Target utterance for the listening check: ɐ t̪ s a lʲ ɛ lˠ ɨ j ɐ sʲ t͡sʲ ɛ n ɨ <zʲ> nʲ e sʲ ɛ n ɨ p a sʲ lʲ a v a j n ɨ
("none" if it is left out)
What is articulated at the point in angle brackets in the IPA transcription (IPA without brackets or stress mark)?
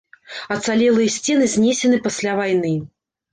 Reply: zʲ